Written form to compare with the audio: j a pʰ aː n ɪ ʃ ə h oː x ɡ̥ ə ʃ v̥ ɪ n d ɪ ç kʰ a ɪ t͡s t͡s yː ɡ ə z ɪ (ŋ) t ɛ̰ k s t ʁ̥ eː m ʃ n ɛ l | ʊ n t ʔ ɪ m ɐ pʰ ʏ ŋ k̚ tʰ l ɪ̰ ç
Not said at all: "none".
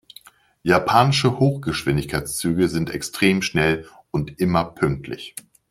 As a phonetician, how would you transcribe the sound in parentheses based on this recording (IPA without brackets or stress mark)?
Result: n